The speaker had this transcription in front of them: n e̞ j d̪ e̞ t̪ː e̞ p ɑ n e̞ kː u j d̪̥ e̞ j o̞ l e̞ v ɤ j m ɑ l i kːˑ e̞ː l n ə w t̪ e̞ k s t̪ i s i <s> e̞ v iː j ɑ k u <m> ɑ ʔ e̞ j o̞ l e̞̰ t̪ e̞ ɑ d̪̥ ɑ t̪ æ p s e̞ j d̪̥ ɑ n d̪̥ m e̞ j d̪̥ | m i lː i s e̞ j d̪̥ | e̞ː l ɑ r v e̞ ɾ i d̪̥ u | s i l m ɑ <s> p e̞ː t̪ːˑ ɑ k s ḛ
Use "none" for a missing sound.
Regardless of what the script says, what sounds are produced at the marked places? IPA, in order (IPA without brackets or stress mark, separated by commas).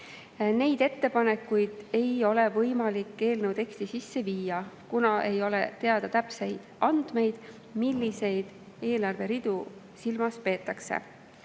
sː, n, s